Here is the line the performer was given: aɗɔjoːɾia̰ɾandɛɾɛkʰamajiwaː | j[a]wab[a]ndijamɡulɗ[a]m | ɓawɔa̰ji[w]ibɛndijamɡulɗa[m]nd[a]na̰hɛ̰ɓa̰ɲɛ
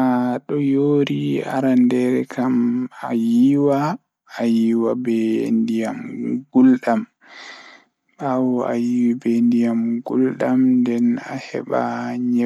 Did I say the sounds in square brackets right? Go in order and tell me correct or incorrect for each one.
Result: incorrect, incorrect, correct, correct, correct, incorrect

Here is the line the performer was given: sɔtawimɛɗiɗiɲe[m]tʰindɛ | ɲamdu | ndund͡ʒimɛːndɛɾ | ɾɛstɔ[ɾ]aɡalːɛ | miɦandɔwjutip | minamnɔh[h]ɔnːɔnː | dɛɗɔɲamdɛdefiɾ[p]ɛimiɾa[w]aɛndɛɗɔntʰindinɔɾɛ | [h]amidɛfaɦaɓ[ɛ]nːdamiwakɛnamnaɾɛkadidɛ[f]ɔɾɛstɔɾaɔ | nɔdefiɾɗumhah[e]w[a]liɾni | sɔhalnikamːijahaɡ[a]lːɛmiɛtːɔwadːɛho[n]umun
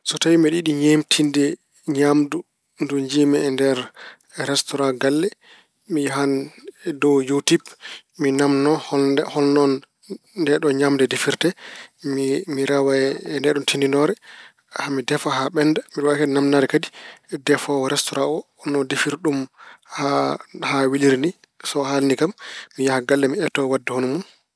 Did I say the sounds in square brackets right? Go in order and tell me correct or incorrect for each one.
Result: correct, correct, correct, incorrect, correct, correct, correct, correct, incorrect, incorrect, correct, correct

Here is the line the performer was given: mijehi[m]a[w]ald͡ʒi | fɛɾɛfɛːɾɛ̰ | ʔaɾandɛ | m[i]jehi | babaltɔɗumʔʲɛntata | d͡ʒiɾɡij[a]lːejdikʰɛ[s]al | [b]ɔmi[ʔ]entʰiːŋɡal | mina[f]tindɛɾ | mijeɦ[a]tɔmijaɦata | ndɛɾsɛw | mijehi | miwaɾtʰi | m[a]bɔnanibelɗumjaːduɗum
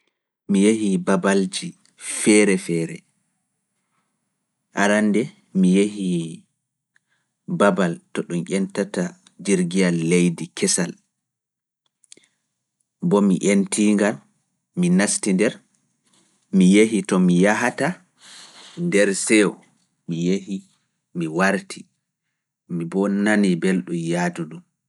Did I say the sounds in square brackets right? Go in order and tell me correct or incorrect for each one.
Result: incorrect, incorrect, correct, correct, correct, correct, correct, incorrect, incorrect, incorrect

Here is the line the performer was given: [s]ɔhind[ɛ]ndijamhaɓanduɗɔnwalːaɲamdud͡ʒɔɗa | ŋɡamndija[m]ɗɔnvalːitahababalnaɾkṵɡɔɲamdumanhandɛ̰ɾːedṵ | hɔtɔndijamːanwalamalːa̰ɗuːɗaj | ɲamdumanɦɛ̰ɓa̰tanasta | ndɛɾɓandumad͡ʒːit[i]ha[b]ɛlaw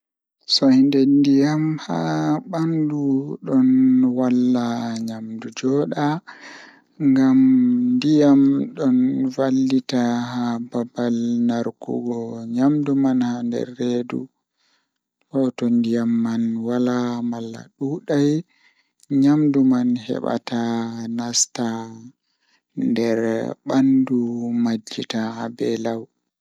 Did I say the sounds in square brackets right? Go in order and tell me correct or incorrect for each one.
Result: correct, correct, correct, incorrect, correct

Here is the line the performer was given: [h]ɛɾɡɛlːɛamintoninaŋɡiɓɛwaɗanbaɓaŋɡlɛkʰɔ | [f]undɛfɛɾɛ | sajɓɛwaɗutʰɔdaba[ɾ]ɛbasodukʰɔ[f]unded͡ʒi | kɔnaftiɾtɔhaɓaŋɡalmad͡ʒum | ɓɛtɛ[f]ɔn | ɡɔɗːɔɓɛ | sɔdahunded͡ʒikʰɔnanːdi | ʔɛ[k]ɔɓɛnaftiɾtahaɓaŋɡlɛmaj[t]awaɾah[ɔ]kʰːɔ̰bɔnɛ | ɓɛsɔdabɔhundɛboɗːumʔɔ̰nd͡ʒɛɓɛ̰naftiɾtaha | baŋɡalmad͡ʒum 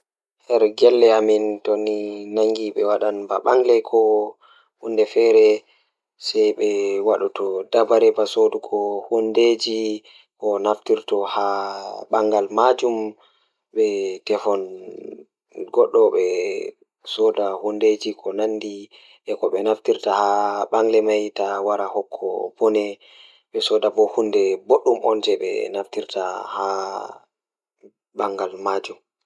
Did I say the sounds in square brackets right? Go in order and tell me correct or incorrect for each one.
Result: correct, incorrect, correct, incorrect, correct, correct, correct, correct

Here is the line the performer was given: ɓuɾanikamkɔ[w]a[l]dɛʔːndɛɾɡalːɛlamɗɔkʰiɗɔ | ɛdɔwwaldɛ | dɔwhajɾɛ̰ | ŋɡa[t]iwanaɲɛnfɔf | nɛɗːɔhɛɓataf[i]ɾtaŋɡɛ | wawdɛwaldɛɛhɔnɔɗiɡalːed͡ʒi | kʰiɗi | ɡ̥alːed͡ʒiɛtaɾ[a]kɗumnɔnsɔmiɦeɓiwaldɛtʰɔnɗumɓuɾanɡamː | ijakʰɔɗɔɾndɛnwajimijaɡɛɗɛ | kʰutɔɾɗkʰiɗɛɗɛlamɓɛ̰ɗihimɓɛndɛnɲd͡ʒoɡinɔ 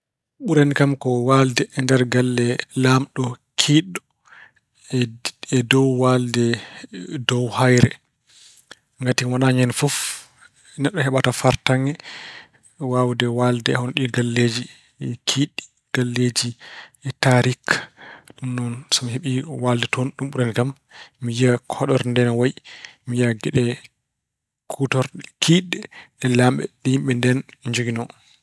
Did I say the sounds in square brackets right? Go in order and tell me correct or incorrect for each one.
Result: correct, correct, correct, incorrect, incorrect

